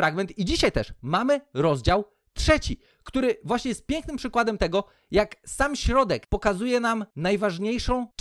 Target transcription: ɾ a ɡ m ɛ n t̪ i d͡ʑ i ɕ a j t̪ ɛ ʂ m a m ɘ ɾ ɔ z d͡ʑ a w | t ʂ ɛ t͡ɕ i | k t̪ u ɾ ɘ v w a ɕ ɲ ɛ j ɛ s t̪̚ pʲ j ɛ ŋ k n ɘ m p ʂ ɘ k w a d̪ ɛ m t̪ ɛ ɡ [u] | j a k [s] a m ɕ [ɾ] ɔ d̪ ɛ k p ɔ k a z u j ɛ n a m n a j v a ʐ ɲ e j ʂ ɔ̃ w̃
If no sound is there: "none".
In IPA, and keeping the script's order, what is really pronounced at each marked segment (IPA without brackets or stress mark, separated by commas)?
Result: ɔ, s, ɾ